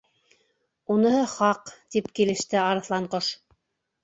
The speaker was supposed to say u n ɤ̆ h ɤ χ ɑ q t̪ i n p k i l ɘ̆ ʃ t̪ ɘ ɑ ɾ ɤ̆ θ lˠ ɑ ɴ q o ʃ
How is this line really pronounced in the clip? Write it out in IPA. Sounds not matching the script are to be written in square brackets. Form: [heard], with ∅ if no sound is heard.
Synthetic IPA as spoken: u n ɤ̆ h ɤ χ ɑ q t̪ i [∅] p k i l ɘ̆ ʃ t̪ ɘ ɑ ɾ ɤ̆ θ lˠ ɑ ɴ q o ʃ